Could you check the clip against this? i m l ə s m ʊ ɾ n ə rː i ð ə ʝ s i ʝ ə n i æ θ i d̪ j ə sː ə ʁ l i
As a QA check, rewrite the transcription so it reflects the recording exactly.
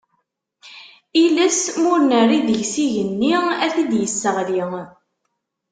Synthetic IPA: i l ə s m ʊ ɾ n ə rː i ð ə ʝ s i ʝ ə nː i æ θ i d̪ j ə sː ə ʁ l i

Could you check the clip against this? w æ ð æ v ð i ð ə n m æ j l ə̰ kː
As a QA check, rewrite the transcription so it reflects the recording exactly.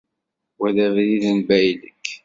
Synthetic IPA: w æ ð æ v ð i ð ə n b æ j l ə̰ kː

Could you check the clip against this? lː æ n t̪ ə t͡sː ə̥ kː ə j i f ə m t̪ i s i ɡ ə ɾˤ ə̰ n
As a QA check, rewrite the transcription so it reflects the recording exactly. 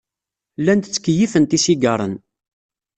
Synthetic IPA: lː æ n t̪ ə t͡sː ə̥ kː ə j i f ə n t̪ i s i ɡ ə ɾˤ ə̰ n

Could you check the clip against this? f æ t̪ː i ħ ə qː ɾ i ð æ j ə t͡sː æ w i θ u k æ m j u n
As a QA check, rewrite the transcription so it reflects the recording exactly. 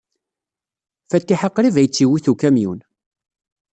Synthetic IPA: f æ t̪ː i ħ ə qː ɾ i v æ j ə t͡sː i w i θ u k æ m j u n

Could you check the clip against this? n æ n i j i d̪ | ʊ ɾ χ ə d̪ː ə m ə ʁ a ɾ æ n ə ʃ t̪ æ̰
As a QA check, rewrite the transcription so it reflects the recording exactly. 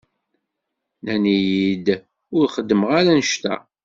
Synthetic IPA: n æ n i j i d̪ | ʊ ɾ χ ə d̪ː ə m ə ʁ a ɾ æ n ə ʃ t̪ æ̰

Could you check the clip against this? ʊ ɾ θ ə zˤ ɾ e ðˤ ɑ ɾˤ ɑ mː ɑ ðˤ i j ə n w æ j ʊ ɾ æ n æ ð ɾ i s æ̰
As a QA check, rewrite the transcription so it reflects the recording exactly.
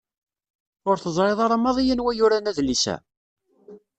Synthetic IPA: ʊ ɾ θ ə zˤ ɾ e ðˤ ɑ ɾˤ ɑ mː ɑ ðˤ i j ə n w æ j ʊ ɾ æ n æ ð l i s æ̰

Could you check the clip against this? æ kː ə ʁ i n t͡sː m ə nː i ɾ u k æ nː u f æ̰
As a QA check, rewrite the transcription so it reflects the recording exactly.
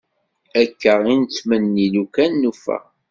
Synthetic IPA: æ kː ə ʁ i n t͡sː m ə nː i l u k æ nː u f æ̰

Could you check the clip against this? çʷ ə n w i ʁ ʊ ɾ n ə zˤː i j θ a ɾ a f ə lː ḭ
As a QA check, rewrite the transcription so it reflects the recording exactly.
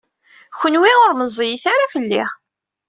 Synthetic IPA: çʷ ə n w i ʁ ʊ ɾ m ə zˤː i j θ a ɾ a f ə lː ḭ

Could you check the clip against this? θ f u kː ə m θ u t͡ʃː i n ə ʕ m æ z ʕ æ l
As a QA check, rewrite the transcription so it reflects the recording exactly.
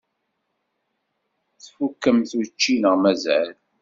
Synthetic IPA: θ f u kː ə m θ u t͡ʃː i n ə ʁ m æ z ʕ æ l

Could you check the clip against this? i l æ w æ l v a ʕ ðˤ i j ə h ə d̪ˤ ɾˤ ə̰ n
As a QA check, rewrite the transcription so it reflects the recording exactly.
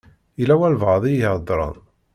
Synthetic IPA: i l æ w æ l v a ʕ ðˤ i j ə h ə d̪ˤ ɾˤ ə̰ n

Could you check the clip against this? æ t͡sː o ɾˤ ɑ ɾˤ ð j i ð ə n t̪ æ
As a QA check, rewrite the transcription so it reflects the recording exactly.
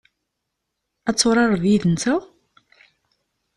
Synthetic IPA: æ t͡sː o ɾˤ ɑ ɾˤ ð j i ð ə n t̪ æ

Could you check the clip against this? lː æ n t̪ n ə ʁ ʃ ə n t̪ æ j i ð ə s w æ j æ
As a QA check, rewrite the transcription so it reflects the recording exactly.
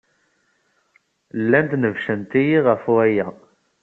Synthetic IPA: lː æ n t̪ n ə v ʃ ə n t̪ i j i ʁ ə f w æ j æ

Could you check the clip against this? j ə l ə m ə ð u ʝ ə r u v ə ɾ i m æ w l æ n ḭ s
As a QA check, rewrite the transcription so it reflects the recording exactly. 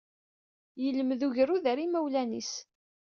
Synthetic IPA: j ə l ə m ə ð u ʝ ə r u ð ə ɾ i m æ w l æ n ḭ s

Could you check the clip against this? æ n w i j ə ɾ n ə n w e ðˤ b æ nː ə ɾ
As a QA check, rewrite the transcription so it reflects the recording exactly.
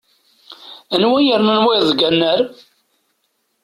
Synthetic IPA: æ n w æ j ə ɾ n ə n w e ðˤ ɡ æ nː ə ɾ

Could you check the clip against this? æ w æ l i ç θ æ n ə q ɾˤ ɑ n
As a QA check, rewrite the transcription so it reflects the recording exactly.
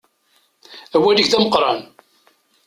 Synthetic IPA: æ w æ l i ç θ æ m ə q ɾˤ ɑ n

